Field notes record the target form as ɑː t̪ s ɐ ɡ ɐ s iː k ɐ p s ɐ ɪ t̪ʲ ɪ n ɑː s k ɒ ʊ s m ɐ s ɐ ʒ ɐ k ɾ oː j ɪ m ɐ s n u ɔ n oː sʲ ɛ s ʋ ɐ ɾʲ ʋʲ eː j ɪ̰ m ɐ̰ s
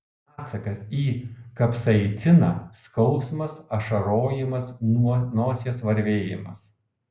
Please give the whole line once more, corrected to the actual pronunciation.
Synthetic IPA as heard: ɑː t̪ s ɐ k ɐ s iː k ɐ p s ɐ ɪ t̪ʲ ɪ n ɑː s k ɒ ʊ s m ɐ s ɐ ʃ ɐ ɾ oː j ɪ m ɐ s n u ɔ n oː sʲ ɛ s ʋ ɐ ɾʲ ʋʲ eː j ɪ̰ m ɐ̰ s